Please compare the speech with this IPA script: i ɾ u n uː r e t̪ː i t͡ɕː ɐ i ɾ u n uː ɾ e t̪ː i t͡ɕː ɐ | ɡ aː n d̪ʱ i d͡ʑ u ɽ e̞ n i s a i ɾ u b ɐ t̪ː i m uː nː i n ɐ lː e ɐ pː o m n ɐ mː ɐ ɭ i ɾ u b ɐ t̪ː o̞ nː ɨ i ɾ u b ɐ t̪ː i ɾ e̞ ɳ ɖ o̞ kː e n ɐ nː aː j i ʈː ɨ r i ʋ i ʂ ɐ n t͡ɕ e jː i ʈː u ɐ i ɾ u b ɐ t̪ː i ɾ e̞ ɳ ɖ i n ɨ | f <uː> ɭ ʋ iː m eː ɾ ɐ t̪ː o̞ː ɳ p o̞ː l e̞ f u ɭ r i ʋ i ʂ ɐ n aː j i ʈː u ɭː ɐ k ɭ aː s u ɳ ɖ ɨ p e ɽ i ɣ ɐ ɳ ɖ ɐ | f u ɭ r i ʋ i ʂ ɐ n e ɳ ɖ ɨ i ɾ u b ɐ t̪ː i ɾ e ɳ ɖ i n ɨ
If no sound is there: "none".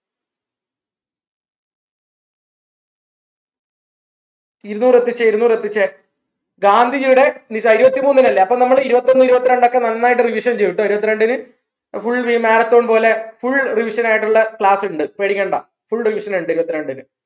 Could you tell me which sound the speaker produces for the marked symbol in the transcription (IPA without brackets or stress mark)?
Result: u